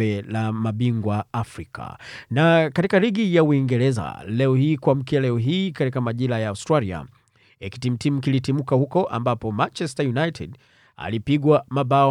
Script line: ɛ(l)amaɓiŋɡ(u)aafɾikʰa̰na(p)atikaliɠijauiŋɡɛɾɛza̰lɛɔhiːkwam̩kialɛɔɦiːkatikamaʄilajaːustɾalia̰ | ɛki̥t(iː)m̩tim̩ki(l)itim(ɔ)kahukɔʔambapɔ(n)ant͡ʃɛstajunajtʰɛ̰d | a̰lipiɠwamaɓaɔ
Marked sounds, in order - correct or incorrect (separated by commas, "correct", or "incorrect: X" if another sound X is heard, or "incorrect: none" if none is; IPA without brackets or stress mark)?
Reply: correct, incorrect: w, incorrect: k, incorrect: i, correct, incorrect: u, incorrect: m